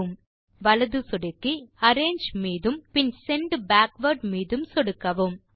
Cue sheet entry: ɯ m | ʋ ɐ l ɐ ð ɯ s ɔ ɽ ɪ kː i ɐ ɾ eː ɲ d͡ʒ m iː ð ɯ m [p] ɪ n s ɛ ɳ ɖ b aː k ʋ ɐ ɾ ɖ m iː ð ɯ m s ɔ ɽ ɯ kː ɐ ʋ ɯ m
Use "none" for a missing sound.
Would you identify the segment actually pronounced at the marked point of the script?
p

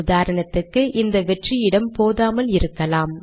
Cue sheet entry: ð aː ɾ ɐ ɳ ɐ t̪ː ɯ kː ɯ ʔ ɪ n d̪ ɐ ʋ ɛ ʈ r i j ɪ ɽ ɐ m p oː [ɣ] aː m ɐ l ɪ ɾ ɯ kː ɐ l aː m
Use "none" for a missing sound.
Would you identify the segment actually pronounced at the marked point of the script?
ð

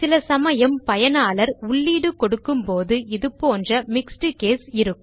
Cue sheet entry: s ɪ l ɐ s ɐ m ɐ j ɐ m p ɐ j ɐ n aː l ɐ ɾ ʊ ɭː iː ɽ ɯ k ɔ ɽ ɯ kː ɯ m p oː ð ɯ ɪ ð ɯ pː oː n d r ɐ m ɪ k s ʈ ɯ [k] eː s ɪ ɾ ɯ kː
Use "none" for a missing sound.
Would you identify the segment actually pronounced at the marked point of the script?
k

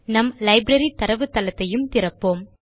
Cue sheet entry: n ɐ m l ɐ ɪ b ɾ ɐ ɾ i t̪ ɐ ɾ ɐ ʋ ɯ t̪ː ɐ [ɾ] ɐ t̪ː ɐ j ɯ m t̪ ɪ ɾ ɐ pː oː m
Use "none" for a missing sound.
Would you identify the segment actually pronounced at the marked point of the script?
l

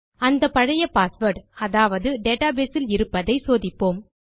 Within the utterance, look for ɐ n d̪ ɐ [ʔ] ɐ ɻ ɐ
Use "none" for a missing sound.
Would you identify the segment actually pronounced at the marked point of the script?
p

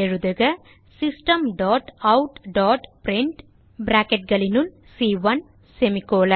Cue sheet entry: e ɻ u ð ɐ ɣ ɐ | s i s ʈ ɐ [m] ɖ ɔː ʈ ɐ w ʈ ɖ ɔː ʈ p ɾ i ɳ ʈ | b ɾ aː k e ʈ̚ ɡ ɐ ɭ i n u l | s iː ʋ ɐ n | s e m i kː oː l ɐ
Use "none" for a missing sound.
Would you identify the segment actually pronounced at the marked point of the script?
m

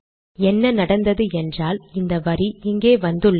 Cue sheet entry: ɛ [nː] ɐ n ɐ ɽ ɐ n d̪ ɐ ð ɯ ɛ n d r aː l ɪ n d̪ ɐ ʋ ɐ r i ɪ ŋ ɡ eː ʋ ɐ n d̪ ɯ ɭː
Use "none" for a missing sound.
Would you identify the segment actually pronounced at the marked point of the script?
nː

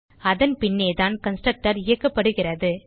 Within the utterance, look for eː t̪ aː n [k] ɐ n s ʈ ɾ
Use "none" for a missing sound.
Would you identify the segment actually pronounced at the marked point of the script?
k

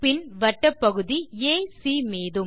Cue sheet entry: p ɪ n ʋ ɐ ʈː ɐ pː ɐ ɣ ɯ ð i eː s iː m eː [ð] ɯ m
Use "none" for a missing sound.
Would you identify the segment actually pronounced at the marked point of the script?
ð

